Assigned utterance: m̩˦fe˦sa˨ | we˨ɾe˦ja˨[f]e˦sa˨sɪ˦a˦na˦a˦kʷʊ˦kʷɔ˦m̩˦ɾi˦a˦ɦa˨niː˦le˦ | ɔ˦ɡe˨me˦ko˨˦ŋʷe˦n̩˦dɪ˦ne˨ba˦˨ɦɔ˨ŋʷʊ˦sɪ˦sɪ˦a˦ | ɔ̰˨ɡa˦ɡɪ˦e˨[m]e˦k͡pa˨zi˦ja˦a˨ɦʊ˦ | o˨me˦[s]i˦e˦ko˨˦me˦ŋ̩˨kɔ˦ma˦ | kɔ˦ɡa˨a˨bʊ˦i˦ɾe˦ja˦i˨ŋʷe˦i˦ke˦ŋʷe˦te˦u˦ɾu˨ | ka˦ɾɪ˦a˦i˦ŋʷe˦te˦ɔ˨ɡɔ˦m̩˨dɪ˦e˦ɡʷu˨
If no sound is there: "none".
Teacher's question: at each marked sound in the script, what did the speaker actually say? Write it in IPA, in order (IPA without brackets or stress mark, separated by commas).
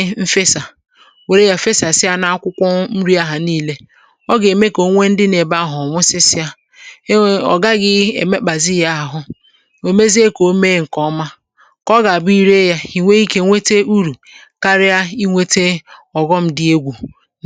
f, m, z